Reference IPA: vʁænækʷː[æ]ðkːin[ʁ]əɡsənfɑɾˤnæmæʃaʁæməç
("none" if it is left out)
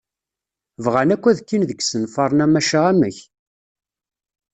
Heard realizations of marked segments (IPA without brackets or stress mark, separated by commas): æ, ð